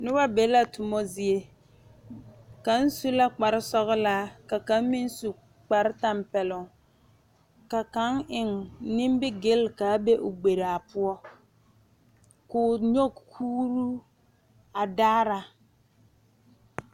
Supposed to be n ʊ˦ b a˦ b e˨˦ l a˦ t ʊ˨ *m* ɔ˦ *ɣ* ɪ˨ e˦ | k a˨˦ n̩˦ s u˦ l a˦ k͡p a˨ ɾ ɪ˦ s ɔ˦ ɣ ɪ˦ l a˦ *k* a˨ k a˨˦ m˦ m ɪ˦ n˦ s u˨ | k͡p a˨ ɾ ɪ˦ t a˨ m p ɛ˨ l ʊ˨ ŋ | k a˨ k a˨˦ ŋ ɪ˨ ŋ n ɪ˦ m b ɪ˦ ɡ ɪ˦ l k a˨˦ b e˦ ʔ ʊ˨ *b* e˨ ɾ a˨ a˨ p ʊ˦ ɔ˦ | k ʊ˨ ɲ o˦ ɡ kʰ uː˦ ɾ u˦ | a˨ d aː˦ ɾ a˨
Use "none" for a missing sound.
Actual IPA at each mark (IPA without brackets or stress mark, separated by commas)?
m, z, k, ɡ͡b